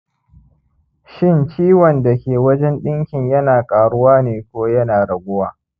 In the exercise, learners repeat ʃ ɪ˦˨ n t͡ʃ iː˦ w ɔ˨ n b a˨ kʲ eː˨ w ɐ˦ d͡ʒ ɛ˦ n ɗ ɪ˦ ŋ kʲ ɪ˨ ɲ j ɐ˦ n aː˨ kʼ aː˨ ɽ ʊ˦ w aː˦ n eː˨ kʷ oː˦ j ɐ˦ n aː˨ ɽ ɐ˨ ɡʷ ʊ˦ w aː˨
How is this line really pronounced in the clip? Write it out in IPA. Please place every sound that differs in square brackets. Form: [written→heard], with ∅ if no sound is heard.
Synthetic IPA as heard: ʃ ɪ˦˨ n t͡ʃ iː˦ w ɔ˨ n [b→d] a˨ kʲ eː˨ w ɐ˦ d͡ʒ ɛ˦ n ɗ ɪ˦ ŋ kʲ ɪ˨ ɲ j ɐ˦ n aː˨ kʼ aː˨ ɽ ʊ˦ w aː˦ n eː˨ kʷ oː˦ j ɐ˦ n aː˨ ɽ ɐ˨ ɡʷ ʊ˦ w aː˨